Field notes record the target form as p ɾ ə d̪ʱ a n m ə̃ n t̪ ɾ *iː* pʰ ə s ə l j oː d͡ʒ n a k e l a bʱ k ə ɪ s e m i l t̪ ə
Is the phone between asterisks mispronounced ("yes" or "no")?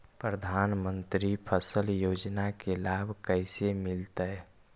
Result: yes